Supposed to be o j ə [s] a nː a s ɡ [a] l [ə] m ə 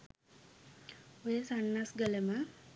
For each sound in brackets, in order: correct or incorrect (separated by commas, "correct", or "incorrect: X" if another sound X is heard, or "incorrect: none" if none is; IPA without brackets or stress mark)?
correct, incorrect: ə, correct